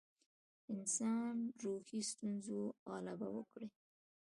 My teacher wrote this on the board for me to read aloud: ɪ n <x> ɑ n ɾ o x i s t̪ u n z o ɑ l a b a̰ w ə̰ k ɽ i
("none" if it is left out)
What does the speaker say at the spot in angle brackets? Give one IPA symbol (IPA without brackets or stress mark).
s